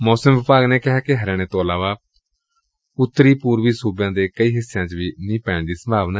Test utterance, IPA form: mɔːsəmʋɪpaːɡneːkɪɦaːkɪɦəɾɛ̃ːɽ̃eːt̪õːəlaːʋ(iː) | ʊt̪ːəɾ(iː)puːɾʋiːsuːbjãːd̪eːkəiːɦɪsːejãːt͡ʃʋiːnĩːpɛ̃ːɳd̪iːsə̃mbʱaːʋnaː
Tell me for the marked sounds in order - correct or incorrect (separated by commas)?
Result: incorrect, correct